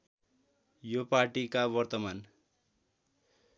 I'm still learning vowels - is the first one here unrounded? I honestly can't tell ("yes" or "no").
no